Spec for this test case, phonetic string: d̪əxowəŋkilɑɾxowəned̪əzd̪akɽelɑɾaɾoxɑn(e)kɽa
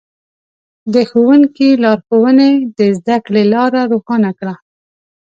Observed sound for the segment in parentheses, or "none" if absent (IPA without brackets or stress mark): a